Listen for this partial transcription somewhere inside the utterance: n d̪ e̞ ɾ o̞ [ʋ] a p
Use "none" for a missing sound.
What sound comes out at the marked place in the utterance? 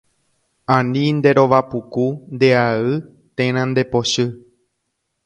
ʋ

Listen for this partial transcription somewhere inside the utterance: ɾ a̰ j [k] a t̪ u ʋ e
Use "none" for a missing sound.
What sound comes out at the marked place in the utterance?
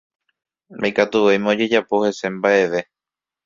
k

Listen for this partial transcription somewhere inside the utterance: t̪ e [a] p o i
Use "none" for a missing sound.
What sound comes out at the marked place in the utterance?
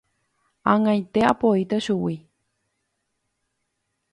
a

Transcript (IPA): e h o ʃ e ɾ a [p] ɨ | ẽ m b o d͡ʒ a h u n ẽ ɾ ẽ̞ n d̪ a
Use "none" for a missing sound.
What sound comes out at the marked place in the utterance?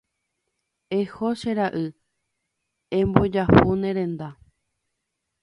ʔ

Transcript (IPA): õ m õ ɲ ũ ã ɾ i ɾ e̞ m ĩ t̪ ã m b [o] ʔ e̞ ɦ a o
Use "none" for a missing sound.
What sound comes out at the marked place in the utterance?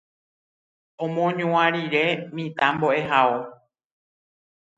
o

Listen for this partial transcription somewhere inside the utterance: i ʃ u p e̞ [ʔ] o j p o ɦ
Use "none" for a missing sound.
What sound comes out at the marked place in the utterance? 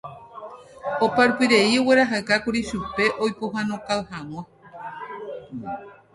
ʔ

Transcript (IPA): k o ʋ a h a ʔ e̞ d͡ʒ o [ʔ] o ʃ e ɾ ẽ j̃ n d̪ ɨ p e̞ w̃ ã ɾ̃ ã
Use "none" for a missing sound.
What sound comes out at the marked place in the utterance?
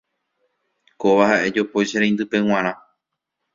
p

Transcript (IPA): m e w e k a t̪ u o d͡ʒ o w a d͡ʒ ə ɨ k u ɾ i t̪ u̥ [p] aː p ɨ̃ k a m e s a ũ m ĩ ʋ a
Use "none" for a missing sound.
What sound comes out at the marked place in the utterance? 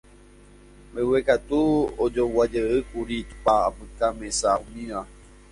p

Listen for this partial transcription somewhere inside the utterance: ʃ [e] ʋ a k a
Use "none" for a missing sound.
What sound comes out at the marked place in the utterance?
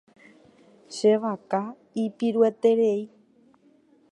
e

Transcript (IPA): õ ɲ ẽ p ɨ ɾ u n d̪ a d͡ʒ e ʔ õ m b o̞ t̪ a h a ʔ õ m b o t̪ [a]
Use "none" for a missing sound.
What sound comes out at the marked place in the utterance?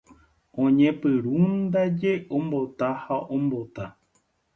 a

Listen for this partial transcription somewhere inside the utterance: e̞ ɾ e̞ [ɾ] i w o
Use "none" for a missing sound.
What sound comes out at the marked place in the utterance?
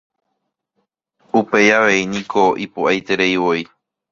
none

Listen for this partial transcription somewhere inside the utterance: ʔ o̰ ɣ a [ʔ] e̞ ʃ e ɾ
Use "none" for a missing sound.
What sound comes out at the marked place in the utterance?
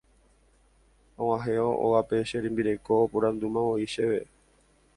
p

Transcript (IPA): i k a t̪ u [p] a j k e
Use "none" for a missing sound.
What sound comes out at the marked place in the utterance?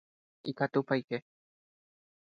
p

